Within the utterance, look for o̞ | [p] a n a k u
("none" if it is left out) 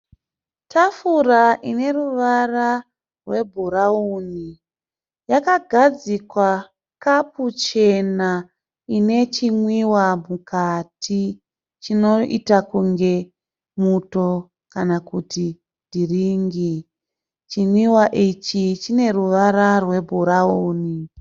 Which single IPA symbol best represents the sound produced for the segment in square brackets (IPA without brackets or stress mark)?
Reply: k